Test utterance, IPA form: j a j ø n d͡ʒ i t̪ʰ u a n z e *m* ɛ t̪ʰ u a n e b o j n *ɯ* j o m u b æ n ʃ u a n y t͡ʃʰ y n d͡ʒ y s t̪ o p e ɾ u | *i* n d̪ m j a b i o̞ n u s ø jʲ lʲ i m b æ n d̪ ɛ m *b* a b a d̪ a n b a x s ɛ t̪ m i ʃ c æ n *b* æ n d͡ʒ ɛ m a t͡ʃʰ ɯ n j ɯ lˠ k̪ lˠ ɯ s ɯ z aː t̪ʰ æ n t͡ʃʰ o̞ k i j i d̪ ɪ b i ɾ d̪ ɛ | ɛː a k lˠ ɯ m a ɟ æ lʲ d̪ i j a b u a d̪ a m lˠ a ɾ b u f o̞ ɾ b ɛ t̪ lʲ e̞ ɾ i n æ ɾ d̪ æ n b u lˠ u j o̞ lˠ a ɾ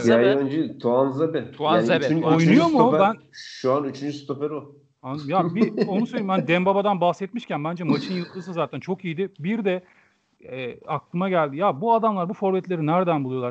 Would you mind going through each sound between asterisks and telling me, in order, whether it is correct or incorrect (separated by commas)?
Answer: incorrect, incorrect, incorrect, correct, correct